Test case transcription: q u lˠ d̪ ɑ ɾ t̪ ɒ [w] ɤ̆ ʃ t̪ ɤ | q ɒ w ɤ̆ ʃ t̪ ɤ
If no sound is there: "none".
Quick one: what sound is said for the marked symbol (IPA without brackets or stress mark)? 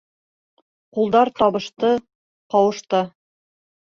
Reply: β